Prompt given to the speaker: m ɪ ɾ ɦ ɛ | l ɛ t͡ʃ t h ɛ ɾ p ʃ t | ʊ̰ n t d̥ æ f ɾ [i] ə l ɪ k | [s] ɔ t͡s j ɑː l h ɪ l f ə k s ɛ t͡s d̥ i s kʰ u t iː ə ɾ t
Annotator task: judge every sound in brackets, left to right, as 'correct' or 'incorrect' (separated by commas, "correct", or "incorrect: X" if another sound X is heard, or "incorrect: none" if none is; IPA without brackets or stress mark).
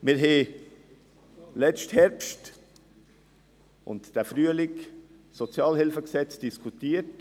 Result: incorrect: y, correct